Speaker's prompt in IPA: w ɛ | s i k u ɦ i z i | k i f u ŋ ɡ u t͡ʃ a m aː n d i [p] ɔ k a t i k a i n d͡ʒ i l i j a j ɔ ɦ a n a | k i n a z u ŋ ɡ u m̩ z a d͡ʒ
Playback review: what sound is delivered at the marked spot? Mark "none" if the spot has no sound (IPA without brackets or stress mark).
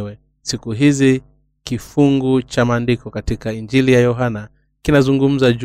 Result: k